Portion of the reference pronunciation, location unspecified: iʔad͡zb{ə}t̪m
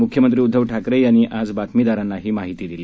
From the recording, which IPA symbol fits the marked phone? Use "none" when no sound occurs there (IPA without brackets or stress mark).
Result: a